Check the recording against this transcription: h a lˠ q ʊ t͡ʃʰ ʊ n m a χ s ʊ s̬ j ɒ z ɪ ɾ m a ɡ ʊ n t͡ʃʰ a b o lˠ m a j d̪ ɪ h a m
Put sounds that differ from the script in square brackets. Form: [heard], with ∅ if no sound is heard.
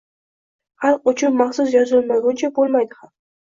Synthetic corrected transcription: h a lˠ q ʊ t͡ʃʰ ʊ n m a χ s ʊ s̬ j ɒ z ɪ [l] m a ɡ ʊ n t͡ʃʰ a b o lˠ m a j d̪ ɪ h a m